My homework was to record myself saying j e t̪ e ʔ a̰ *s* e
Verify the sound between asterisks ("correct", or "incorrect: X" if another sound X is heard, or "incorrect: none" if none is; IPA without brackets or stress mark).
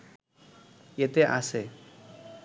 correct